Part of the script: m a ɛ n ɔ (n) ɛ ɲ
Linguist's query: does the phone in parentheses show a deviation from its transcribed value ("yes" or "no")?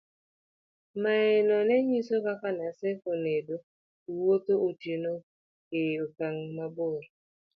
no